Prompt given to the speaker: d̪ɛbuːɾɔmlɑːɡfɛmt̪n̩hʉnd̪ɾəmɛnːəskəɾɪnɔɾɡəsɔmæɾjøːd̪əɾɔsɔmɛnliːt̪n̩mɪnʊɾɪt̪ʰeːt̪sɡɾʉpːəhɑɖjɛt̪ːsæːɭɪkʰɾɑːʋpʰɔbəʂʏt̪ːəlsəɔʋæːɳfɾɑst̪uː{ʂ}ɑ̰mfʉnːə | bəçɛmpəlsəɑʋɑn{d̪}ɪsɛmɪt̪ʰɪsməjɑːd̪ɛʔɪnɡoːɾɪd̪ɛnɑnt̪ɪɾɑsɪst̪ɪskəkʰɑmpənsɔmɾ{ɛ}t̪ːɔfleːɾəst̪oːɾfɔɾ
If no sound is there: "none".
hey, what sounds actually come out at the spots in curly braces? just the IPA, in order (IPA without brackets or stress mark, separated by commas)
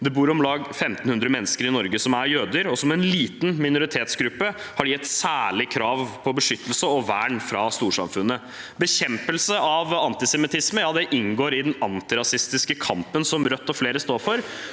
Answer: ʂ, t̪, œ